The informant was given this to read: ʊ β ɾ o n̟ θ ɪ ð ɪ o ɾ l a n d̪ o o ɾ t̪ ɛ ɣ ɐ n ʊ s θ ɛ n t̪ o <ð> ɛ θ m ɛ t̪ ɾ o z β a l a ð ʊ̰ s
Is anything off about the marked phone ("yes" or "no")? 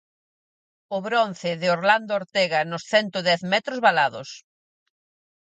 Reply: no